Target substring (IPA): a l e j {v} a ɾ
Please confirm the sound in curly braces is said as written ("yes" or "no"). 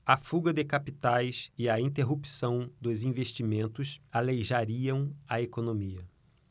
no